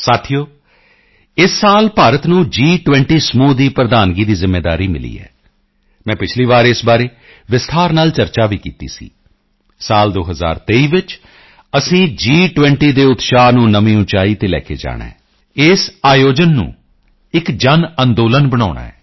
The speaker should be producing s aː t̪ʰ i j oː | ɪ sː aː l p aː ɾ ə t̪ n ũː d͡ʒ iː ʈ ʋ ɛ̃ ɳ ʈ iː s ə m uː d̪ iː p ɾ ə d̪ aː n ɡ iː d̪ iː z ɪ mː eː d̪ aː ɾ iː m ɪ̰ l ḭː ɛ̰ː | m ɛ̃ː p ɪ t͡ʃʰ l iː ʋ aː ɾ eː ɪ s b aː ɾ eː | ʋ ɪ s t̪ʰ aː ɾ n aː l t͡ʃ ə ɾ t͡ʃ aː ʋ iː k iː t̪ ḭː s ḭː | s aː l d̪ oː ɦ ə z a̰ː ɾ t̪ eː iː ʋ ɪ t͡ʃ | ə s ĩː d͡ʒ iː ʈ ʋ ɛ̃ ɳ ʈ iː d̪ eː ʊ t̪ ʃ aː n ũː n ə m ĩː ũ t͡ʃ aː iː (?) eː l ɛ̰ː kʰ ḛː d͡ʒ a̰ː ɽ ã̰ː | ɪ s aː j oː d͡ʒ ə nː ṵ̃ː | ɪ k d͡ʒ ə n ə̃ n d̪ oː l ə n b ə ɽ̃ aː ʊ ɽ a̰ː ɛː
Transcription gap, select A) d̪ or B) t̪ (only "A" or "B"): B